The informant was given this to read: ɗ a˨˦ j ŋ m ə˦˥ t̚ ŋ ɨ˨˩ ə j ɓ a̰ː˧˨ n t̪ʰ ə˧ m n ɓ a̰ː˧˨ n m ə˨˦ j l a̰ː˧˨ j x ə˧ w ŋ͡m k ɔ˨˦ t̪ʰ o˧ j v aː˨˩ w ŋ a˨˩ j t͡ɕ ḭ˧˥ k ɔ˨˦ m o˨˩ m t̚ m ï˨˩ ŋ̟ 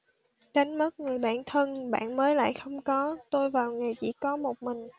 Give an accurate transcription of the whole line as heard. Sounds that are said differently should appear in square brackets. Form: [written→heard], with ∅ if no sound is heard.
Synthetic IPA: ɗ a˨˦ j ŋ m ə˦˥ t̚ ŋ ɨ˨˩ ə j ɓ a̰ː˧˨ n t̪ʰ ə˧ [m→∅] n ɓ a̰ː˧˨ n m [ə˨˦→əː˨˦] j l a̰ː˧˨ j x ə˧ w ŋ͡m k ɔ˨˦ [t̪ʰ→t̪] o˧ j v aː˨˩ w ŋ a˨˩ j t͡ɕ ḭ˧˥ k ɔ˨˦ m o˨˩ [m→∅] t̚ m ï˨˩ ŋ̟

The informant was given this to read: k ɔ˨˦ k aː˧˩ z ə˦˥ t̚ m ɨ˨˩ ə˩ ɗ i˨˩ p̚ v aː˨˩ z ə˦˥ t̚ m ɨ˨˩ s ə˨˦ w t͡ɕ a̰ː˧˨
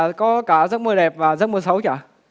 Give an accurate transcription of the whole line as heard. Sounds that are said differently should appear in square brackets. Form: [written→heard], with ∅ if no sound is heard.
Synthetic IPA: k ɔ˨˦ k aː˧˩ z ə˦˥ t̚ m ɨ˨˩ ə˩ ɗ [i˨˩→ɛ˨˩] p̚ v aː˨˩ z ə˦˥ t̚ m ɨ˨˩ s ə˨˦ w t͡ɕ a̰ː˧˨

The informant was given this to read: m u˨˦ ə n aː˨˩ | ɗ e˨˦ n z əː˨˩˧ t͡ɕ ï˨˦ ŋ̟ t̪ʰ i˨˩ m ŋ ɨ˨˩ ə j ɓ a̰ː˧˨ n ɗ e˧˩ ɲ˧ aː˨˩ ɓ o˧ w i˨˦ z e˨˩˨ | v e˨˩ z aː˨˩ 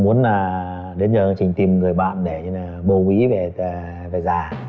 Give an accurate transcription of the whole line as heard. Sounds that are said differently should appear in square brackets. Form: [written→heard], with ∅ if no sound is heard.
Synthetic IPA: m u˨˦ ə n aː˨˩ | ɗ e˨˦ n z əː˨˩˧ t͡ɕ [ï˨˦→ï˨˩] ŋ̟ [t̪ʰ→t̪] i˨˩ m ŋ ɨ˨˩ ə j ɓ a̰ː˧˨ n ɗ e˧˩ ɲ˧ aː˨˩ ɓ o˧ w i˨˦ [z→v] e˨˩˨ | v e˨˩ z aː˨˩

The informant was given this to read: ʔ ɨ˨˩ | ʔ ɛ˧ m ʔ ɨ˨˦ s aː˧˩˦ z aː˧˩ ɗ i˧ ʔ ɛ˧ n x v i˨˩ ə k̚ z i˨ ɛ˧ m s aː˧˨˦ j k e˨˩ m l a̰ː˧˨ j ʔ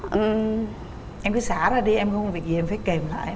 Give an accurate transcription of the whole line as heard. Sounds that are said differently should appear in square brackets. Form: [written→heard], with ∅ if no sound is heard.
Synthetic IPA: ʔ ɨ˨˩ | ʔ ɛ˧ m [ʔ→k] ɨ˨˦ s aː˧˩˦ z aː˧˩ ɗ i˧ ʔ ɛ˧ [n→m] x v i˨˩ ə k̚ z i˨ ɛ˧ m [s→f] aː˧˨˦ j k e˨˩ m l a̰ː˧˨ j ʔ

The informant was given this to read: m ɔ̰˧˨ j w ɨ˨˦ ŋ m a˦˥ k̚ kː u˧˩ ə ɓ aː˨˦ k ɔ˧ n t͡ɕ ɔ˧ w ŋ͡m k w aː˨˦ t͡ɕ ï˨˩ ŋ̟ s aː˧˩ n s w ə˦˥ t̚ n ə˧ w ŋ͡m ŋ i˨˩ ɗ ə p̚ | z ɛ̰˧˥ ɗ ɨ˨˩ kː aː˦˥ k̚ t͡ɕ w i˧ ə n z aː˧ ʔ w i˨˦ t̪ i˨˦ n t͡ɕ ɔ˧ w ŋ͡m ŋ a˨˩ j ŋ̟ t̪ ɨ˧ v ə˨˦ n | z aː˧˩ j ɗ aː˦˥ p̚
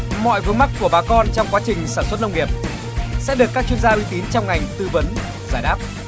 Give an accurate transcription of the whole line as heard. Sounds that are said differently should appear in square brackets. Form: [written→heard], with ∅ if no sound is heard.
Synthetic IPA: m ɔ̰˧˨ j [w→v] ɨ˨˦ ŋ m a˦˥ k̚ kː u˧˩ ə ɓ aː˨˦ k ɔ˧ n t͡ɕ ɔ˧ w ŋ͡m k w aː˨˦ t͡ɕ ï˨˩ ŋ̟ s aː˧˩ n s w ə˦˥ t̚ n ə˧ w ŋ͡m ŋ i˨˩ [ɗ→∅] ə p̚ | [z→s] ɛ̰˧˥ ɗ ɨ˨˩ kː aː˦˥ k̚ t͡ɕ w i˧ ə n z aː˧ ʔ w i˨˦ t̪ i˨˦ n t͡ɕ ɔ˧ w ŋ͡m ŋ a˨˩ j ŋ̟ t̪ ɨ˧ v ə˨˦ n | z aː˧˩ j ɗ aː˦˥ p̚

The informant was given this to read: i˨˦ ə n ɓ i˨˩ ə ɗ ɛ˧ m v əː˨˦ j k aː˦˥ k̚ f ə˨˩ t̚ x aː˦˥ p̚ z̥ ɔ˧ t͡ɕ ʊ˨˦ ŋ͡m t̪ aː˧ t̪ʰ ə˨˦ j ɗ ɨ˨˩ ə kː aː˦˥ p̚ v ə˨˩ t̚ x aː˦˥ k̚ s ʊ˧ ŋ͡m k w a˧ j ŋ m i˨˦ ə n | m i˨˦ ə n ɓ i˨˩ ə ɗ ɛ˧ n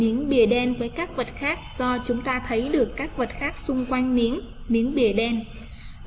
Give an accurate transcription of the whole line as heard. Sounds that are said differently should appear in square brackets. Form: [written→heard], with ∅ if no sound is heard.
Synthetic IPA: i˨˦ ə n ɓ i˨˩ ə ɗ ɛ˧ [m→n] v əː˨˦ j k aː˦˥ k̚ [f→v] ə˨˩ t̚ x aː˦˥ [p̚→k̚] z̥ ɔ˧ t͡ɕ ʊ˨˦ ŋ͡m t̪ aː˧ t̪ʰ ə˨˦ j ɗ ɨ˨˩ ə kː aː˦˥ [p̚→k̚] v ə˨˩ t̚ x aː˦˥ k̚ s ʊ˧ ŋ͡m k w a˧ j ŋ m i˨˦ ə n | m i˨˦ ə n ɓ i˨˩ ə ɗ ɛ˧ n

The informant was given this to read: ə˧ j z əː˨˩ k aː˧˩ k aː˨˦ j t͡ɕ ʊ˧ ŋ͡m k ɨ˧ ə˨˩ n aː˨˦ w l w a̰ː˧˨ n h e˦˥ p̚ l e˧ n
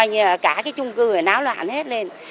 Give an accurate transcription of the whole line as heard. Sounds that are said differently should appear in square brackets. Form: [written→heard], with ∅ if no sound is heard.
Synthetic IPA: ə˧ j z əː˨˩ k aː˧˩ k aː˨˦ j t͡ɕ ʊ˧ ŋ͡m k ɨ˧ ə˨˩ n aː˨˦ w l w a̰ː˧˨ n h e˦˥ [p̚→t̚] l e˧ n

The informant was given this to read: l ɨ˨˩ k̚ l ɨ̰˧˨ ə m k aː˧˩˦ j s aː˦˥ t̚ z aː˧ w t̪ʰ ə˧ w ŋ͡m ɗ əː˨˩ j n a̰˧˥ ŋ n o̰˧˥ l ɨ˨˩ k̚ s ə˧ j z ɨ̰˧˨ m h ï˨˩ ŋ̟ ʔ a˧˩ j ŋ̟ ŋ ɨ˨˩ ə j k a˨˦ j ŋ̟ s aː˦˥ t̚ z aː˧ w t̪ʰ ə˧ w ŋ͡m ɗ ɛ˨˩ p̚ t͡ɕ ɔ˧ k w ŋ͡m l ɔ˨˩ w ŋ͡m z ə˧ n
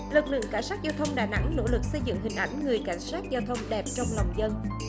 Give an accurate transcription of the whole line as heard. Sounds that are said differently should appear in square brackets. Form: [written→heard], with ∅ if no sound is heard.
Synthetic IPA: l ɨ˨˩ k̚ l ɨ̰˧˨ ə [m→ŋ] k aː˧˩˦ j s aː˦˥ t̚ z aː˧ w t̪ʰ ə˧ w ŋ͡m ɗ [əː˨˩→aː˨˩] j n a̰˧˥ ŋ n o̰˧˥ l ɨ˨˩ k̚ s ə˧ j z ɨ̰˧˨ [m→ŋ] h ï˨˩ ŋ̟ ʔ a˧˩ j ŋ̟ ŋ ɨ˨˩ ə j k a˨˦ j ŋ̟ s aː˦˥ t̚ z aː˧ w t̪ʰ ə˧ w ŋ͡m ɗ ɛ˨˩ p̚ t͡ɕ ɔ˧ [k→∅] w ŋ͡m l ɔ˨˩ w ŋ͡m z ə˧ n

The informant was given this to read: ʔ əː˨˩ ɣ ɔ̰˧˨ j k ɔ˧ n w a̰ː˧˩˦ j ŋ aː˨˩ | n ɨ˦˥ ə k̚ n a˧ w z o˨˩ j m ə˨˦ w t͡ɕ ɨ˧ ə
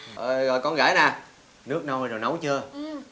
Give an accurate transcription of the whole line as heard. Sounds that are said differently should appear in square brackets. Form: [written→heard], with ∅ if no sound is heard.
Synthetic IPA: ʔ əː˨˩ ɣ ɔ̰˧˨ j k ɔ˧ n [w→ɣ] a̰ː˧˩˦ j [ŋ→n] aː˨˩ | n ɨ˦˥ ə k̚ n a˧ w z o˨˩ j [m→n] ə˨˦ w t͡ɕ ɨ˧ ə

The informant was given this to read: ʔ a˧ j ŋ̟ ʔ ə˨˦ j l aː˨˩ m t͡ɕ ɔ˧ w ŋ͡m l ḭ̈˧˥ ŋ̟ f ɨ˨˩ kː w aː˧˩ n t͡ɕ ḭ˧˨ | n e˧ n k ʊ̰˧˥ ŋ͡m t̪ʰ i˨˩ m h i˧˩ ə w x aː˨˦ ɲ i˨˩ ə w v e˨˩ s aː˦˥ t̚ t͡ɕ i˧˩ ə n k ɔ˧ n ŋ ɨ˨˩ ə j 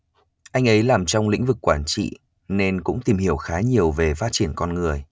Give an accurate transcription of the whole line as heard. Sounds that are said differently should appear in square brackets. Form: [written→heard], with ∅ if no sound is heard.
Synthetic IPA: ʔ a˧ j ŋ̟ ʔ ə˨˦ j l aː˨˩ m t͡ɕ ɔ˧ w ŋ͡m l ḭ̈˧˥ ŋ̟ [f→v] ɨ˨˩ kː w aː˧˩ n t͡ɕ ḭ˧˨ | n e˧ n k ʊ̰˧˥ ŋ͡m [t̪ʰ→t̪] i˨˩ m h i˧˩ ə w x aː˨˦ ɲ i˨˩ ə w v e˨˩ [s→f] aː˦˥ t̚ t͡ɕ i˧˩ ə n k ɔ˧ n ŋ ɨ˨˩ ə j

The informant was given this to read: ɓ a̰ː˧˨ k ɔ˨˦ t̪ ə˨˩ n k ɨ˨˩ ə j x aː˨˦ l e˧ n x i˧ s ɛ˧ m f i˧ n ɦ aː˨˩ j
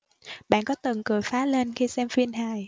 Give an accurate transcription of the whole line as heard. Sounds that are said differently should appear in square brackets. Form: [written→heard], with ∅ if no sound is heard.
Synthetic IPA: ɓ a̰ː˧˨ k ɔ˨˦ t̪ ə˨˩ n k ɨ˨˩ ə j [x→f] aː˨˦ l e˧ n x i˧ s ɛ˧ m f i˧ n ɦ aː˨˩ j

